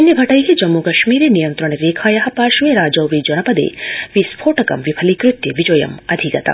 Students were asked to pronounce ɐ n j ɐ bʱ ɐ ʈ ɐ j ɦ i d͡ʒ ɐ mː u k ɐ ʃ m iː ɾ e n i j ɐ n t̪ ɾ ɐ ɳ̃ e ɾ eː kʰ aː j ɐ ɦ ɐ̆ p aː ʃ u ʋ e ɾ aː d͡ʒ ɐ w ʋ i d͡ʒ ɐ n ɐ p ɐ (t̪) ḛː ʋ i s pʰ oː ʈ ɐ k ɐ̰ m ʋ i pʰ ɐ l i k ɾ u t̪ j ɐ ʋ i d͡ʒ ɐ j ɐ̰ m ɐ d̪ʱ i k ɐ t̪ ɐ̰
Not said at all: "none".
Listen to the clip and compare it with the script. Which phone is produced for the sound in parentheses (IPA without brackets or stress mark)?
d̪